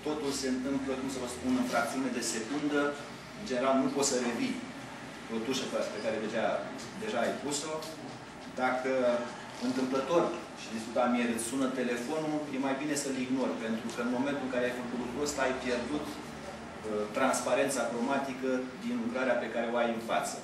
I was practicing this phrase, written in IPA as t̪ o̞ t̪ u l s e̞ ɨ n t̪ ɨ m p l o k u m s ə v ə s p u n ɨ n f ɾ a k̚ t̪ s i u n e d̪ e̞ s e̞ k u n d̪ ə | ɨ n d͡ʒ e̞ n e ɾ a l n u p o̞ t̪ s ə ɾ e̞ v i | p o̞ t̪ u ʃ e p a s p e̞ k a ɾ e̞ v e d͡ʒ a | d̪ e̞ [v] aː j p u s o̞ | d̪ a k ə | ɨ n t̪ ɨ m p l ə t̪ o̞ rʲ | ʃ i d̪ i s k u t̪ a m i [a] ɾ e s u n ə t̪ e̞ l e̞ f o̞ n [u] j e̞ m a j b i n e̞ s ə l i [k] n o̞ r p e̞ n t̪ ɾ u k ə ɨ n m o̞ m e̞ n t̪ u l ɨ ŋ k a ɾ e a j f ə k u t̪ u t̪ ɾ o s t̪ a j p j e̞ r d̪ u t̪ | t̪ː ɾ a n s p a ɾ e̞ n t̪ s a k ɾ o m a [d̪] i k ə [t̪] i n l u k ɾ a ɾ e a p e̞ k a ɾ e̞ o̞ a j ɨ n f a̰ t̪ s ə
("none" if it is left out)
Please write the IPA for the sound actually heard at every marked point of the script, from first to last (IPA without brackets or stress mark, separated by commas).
ʒ, e, u, ɡ, t̪, d̪